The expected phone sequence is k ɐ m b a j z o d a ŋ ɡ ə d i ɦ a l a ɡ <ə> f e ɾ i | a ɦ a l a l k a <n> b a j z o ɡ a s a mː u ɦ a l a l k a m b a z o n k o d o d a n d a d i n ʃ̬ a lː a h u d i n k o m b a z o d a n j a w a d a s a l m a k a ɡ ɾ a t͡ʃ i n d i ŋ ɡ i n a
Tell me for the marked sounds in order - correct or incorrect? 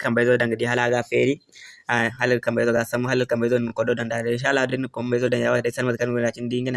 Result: incorrect: a, incorrect: m

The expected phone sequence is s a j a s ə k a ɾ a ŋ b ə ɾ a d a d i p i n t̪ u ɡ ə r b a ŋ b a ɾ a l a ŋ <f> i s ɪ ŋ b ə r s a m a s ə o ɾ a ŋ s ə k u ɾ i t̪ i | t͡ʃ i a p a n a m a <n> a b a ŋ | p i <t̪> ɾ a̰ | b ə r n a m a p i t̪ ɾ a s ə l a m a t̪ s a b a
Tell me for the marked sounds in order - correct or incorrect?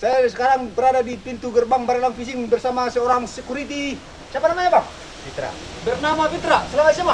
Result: correct, incorrect: ɲ, correct

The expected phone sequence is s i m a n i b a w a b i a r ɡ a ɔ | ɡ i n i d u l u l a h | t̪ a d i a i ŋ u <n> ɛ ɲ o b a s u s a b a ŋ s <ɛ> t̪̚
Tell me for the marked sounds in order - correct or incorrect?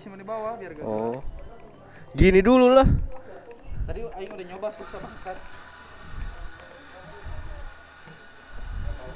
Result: incorrect: d, incorrect: a

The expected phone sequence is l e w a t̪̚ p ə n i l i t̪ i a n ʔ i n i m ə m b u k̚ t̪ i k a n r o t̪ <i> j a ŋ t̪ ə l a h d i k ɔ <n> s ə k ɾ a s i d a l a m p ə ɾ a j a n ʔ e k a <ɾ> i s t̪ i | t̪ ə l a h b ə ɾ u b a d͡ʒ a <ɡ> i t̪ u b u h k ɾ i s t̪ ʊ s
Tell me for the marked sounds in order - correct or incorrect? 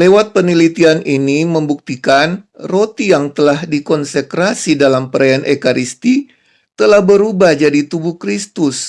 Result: correct, correct, correct, incorrect: d

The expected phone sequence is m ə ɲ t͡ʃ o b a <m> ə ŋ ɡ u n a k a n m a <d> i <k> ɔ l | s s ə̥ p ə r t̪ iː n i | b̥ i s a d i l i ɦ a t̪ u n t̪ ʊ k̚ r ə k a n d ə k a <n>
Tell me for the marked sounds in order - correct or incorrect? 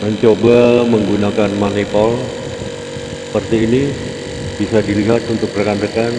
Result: correct, incorrect: n, incorrect: p, correct

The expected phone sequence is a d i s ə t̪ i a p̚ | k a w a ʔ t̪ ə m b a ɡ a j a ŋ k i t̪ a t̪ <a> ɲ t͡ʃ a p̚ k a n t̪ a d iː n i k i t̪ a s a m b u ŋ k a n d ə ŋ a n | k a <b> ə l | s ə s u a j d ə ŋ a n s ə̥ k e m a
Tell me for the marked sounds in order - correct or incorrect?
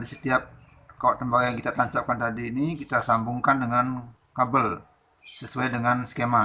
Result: correct, correct

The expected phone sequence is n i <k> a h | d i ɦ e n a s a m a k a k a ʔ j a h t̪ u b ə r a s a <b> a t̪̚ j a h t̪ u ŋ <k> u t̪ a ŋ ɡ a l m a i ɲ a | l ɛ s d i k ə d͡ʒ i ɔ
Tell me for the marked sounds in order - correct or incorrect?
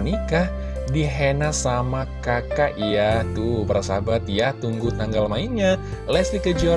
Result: correct, correct, incorrect: ɡ

